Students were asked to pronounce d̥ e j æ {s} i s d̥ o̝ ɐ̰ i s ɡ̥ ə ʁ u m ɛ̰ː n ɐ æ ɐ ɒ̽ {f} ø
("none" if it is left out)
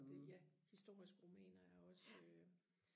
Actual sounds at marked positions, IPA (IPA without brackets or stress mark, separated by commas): h, s